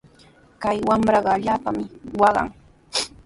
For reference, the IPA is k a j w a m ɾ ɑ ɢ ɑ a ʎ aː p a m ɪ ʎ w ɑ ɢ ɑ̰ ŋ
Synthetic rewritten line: k a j w a m ɾ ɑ ɢ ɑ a ʎ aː p a m ɪ w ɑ ɢ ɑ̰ ŋ